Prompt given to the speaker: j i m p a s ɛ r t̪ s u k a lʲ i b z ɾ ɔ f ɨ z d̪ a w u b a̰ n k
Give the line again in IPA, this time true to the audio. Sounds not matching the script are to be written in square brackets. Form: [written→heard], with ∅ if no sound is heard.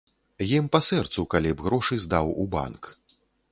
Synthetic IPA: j i m p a s ɛ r t̪ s u k a lʲ i b [z→ɣ] ɾ ɔ [f→ʂ] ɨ z d̪ a w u b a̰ n k